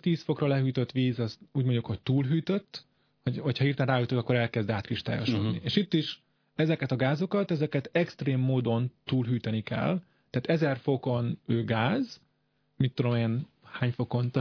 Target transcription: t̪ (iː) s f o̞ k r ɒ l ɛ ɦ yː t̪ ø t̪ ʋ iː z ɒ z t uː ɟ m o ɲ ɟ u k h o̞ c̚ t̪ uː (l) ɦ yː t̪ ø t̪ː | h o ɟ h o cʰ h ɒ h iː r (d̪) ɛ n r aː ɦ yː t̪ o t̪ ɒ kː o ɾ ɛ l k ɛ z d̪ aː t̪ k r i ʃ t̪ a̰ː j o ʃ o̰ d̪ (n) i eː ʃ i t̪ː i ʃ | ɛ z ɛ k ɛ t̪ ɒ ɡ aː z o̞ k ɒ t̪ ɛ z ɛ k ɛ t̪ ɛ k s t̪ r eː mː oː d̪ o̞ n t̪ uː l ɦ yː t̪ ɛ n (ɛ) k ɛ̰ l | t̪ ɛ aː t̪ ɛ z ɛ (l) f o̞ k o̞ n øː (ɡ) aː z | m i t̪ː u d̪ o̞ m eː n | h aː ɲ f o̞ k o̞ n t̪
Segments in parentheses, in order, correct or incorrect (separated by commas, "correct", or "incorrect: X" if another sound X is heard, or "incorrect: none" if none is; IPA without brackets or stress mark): correct, correct, incorrect: t̪, correct, incorrect: i, incorrect: r, correct